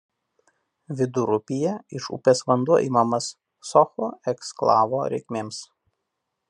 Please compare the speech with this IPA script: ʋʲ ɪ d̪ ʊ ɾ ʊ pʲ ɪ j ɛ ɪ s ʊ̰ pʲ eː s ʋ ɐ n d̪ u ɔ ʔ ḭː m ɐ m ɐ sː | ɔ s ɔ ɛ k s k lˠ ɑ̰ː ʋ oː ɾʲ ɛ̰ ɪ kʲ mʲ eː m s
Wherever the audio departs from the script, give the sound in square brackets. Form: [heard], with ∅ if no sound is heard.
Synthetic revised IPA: ʋʲ ɪ d̪ ʊ ɾ ʊ pʲ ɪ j ɛ ɪ [ʃ] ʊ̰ pʲ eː s ʋ ɐ n d̪ u ɔ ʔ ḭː m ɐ m ɐ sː | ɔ [x] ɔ ɛ k s k lˠ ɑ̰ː ʋ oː ɾʲ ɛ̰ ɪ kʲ mʲ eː m s